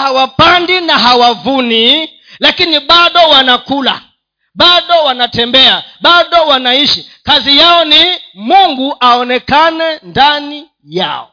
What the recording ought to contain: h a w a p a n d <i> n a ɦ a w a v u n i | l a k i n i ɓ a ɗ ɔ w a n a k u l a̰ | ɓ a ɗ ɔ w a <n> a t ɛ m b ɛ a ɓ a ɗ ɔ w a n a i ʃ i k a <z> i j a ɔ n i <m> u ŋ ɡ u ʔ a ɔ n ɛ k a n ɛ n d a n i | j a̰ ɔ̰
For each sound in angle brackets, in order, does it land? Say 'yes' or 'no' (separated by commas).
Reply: yes, yes, yes, yes